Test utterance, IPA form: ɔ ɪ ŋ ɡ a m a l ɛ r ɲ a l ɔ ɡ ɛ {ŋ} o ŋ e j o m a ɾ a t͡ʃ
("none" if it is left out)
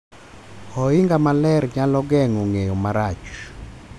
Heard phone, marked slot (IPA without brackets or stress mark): ŋ